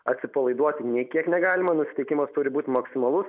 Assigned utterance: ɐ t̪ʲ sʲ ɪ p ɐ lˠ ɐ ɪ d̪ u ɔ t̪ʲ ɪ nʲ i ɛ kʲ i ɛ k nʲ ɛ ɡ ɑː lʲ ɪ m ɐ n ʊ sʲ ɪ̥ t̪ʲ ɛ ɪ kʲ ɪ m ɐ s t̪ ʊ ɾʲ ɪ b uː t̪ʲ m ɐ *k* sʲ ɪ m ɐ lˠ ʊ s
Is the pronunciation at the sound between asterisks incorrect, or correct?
correct